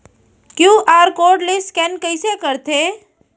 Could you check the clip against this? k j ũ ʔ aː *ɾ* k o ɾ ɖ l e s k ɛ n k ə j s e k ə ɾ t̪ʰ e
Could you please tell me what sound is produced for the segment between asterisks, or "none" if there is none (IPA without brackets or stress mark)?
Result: ɾ